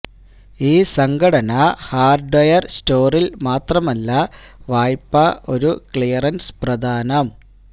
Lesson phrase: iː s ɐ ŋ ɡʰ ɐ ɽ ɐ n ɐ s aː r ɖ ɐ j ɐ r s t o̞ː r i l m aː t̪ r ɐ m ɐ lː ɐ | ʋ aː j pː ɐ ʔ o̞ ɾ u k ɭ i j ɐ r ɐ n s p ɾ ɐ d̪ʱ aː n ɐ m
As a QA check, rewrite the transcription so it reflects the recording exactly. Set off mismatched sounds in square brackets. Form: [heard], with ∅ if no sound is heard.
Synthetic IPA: iː s ɐ ŋ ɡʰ ɐ ɽ ɐ n ɐ [h] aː r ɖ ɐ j ɐ r s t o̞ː r i l m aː t̪ r ɐ m ɐ lː ɐ | ʋ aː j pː ɐ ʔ o̞ ɾ u k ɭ i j ɐ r ɐ n s p [r] ɐ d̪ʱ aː n ɐ m